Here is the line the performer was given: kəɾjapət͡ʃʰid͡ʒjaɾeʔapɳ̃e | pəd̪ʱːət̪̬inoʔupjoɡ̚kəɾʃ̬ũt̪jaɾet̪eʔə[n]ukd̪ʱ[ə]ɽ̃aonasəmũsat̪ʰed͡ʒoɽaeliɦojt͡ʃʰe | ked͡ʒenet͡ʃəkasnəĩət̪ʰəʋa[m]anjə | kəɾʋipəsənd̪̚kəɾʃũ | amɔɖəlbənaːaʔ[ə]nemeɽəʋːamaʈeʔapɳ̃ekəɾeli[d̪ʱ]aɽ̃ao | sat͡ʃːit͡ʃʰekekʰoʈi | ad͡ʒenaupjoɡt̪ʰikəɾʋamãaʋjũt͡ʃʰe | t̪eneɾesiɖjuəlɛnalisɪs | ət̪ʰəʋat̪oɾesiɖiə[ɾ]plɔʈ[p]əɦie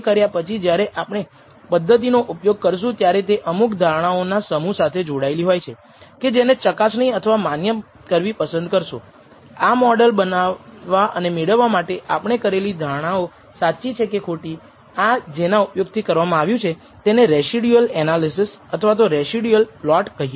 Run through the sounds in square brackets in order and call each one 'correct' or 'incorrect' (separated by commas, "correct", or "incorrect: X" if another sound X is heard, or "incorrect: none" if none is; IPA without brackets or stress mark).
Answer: incorrect: m, incorrect: a, correct, correct, correct, incorrect: l, incorrect: k